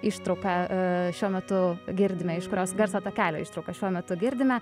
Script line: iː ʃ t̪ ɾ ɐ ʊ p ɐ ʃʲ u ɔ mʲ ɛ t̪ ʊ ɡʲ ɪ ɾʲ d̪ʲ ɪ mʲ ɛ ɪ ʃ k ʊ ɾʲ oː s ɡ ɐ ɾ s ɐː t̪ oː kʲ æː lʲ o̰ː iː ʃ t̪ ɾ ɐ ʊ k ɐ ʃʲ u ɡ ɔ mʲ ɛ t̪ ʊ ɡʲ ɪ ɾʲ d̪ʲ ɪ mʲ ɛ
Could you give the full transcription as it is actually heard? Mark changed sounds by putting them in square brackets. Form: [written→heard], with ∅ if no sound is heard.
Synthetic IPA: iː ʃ t̪ ɾ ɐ ʊ [p→k] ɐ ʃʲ u ɔ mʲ ɛ t̪ ʊ ɡʲ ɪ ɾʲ d̪ʲ ɪ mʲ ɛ ɪ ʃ k ʊ ɾʲ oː s ɡ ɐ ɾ s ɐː t̪ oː kʲ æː lʲ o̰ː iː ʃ t̪ ɾ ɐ ʊ k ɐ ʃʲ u [ɡ→∅] ɔ mʲ ɛ t̪ ʊ ɡʲ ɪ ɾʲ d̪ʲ ɪ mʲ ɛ